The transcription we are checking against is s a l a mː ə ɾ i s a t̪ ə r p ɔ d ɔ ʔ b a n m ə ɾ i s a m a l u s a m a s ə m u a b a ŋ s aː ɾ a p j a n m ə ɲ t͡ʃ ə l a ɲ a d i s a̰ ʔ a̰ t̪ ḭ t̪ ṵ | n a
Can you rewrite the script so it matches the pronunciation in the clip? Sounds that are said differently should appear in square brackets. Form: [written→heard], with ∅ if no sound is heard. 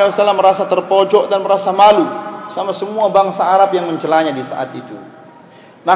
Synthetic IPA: s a l a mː ə ɾ [i→a] s a t̪ ə r p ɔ [d→d͡ʒ] ɔ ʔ [b→d] a n m ə ɾ [i→a] s a m a l u s a m a s ə m u a b a ŋ s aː ɾ a p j a [n→ŋ] m ə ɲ t͡ʃ ə l a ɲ a d i s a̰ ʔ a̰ t̪ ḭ t̪ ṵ | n a